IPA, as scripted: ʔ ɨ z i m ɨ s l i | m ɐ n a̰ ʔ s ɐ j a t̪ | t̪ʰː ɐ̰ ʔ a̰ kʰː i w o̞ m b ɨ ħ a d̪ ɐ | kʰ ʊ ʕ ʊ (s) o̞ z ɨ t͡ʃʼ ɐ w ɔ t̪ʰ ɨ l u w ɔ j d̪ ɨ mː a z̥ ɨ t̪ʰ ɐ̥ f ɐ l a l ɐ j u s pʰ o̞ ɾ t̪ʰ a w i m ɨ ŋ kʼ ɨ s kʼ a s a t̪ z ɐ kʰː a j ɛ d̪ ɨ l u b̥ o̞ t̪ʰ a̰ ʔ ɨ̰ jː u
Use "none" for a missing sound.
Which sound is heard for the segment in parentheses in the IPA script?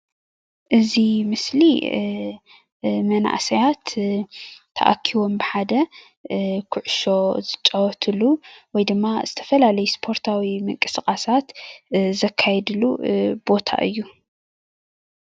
ʃ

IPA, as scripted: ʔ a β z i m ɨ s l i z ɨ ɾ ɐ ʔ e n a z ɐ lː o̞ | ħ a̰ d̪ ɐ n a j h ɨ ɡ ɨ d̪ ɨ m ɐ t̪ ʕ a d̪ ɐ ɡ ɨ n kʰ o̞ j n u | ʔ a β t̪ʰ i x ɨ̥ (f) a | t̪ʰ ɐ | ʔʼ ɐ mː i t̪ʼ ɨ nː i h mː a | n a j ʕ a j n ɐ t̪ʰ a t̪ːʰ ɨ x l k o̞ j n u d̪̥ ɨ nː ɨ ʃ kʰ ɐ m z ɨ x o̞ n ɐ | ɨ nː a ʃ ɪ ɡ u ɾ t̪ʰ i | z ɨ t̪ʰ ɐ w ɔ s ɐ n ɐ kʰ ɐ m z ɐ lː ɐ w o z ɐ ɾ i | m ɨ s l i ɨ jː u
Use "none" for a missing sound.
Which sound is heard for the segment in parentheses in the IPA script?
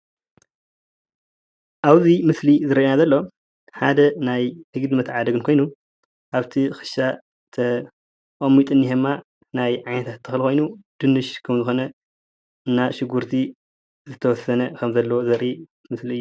ʃ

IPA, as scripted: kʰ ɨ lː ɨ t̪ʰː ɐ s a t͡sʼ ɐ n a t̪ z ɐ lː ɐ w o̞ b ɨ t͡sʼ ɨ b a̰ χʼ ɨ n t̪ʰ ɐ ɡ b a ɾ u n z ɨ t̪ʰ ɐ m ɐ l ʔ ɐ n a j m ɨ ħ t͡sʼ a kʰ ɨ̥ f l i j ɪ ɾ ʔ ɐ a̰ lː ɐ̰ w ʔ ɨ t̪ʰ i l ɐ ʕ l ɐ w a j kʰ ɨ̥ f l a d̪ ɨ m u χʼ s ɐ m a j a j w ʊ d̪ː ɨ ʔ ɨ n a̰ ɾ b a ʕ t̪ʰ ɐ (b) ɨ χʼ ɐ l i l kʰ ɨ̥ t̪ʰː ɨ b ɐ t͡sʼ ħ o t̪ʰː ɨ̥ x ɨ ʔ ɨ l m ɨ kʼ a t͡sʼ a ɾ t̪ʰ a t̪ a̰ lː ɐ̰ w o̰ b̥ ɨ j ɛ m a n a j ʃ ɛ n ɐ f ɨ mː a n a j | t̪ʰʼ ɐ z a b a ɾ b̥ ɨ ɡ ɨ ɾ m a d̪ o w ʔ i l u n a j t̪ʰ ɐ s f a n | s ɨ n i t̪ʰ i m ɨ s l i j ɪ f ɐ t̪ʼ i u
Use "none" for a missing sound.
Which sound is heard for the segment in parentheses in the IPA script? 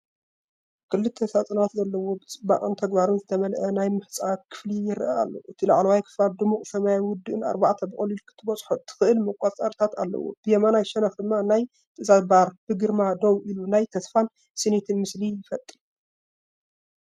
b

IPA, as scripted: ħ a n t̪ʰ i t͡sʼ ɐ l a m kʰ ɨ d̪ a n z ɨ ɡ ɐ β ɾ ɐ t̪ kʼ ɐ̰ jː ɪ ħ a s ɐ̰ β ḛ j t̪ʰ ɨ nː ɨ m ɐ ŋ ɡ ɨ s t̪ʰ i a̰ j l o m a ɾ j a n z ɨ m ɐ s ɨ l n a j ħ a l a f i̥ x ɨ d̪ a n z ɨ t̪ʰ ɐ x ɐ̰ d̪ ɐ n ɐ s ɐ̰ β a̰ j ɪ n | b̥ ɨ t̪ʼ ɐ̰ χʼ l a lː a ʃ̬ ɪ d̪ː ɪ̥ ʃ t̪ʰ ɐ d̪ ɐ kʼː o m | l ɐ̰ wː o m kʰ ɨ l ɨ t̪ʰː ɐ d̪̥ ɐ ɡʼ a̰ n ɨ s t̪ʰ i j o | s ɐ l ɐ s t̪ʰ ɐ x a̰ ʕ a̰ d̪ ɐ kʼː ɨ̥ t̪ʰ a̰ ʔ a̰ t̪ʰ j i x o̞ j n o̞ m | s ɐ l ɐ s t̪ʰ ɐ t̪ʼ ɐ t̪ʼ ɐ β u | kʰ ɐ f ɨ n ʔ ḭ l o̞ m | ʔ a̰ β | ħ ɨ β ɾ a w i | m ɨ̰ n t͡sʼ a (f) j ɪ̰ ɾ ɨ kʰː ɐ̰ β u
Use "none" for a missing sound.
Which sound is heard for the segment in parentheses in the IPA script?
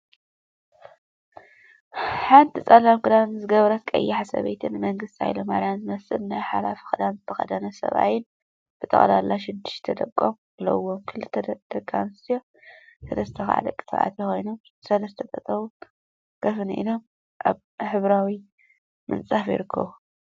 f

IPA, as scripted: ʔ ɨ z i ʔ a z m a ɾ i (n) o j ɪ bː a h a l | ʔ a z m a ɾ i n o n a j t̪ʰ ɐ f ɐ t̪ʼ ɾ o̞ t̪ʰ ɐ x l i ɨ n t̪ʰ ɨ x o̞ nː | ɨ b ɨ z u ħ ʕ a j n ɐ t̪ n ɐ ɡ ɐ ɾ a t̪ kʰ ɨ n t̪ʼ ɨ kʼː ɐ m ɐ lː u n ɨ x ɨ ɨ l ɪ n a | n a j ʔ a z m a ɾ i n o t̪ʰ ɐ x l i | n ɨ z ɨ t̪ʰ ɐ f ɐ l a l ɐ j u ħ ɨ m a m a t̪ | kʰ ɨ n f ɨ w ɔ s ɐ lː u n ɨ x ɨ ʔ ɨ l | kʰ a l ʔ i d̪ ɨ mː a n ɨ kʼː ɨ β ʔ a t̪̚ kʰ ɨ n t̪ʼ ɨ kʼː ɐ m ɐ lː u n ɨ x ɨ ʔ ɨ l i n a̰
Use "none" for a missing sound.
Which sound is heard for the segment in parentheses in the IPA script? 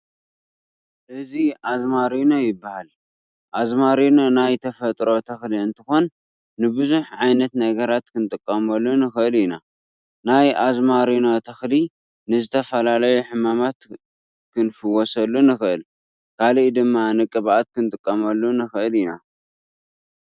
n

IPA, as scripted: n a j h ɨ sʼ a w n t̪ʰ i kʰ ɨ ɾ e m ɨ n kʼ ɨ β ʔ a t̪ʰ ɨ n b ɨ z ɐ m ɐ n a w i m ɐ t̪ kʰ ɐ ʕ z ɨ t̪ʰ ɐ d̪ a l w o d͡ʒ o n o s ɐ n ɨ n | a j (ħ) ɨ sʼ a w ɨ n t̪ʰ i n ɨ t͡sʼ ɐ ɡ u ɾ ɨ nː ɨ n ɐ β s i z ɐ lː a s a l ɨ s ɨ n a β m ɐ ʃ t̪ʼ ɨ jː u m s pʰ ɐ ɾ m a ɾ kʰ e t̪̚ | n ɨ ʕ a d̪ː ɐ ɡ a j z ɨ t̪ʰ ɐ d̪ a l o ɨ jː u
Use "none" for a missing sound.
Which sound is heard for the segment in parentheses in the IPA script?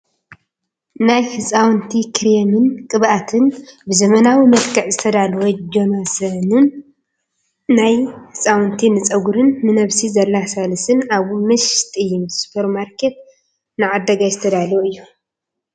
h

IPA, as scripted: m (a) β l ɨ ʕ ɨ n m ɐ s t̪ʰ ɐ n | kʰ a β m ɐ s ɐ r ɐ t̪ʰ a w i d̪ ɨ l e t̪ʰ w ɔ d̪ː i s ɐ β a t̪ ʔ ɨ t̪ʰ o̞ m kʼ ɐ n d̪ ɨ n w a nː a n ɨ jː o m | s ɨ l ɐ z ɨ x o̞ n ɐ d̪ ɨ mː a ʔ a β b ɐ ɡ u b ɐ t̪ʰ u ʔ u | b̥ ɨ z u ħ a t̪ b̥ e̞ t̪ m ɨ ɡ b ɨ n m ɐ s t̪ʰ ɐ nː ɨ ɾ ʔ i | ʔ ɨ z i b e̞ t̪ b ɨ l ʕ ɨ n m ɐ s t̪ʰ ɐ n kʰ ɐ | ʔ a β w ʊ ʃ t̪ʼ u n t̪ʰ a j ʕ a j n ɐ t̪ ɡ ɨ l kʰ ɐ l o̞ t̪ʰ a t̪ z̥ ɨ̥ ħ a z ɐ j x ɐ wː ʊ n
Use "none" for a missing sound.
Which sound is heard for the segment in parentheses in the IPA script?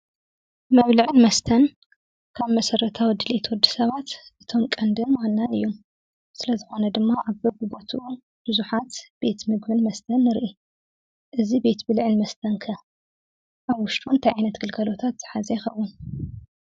ɐ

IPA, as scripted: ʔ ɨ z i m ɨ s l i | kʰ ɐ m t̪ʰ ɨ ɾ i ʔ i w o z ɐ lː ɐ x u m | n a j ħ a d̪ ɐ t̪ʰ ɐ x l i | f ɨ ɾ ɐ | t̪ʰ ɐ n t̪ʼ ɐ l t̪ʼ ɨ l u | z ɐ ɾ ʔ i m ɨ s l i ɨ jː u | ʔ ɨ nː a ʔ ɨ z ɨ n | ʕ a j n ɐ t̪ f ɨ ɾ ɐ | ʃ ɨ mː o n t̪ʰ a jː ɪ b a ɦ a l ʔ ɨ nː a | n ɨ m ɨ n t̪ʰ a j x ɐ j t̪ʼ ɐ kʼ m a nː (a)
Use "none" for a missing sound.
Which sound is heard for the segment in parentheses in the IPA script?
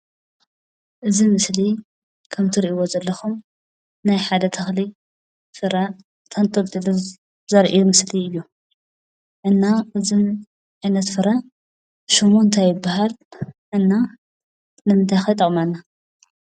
a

